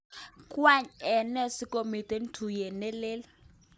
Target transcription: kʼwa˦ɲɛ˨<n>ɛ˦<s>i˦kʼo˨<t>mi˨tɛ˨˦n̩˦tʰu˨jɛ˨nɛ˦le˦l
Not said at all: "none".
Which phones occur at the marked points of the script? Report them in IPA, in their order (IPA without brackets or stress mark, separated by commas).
n, s, none